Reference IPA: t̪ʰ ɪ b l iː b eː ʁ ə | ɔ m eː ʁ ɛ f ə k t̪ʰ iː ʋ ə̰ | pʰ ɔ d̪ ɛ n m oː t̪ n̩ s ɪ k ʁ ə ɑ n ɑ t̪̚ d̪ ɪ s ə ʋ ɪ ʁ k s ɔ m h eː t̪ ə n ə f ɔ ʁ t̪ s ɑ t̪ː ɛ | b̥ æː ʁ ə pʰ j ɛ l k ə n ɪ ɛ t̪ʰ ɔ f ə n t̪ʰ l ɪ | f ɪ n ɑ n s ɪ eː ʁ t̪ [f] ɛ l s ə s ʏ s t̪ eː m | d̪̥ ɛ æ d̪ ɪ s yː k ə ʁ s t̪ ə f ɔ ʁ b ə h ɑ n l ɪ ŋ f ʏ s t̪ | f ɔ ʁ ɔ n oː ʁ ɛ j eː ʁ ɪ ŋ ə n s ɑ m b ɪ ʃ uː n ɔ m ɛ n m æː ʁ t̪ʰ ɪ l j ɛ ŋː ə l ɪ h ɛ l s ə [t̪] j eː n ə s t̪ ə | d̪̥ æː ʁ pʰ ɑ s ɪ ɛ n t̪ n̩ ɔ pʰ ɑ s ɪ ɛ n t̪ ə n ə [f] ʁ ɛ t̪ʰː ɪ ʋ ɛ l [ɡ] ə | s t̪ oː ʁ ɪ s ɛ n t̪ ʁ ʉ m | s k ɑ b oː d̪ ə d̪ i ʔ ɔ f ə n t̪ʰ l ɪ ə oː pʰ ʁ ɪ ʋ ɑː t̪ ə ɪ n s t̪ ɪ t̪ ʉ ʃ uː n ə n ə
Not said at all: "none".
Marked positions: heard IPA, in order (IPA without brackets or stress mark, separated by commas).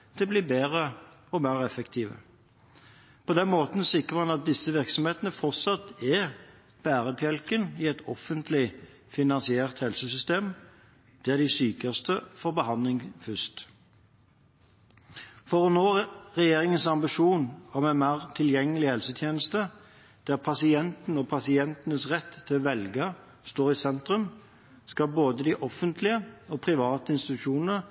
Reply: h, t̪ʰ, s, ɡ